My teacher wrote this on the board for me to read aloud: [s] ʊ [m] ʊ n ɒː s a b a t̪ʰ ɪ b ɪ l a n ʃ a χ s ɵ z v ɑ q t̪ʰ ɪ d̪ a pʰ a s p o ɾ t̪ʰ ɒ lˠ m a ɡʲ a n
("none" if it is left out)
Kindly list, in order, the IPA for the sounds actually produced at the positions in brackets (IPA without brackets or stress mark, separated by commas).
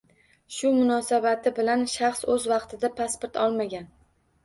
ʃ, m